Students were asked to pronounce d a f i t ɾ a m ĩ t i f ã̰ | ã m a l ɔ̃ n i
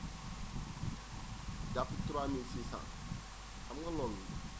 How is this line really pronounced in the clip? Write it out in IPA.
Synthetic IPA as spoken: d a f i t ɾ a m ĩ s i s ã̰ | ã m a l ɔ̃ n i